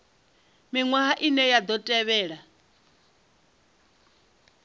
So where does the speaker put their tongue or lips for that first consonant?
lips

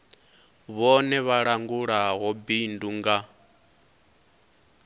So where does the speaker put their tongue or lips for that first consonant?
lips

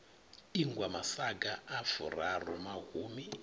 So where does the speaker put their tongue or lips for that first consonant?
velum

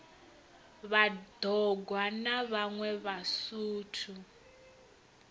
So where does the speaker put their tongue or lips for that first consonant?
lips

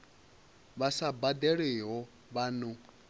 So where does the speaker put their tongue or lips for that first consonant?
lips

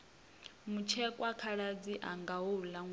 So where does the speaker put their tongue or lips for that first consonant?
lips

